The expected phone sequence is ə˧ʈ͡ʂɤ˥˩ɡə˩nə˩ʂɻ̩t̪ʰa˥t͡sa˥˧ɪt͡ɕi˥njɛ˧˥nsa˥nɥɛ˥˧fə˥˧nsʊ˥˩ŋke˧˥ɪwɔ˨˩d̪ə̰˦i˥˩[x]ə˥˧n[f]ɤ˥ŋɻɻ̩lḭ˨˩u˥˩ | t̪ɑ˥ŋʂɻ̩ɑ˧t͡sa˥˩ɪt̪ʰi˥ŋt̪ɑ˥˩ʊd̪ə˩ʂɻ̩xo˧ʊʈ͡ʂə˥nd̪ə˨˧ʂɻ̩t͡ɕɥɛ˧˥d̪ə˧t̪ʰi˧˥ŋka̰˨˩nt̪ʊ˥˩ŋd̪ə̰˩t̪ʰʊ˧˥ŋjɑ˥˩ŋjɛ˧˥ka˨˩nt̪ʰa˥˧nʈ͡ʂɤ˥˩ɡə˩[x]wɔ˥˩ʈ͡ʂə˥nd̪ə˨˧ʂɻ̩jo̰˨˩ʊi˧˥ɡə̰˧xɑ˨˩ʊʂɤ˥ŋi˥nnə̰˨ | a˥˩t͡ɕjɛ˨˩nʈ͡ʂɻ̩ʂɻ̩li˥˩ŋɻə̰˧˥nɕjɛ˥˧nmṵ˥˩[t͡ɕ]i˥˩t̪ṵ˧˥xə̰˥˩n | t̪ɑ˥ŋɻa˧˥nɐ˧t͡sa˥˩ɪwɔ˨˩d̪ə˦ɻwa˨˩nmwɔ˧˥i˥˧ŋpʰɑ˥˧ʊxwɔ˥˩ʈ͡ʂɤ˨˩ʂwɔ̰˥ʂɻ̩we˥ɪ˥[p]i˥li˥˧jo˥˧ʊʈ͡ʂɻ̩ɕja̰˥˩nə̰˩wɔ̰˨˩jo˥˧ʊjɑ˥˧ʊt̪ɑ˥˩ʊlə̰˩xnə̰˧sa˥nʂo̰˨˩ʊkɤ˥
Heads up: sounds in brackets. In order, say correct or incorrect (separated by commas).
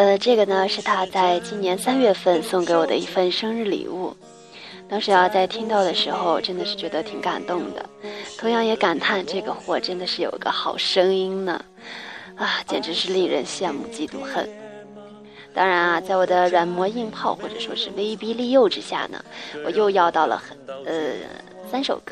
incorrect, incorrect, correct, correct, correct